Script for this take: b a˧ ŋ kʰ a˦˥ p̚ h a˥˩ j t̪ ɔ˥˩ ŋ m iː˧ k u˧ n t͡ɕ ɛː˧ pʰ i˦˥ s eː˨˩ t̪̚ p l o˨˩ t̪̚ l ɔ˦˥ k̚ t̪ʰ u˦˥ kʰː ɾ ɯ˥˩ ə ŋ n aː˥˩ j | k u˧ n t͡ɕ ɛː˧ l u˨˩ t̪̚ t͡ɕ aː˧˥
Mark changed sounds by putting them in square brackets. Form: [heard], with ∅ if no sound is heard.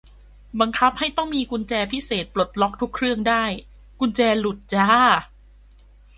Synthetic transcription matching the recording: b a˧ ŋ kʰ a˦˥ p̚ h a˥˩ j t̪ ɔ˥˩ ŋ m iː˧ k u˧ n t͡ɕ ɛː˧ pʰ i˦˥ s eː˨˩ t̪̚ p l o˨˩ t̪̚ l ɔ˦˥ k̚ t̪ʰ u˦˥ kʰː ɾ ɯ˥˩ ə ŋ [d] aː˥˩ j | k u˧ n t͡ɕ ɛː˧ l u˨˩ t̪̚ t͡ɕ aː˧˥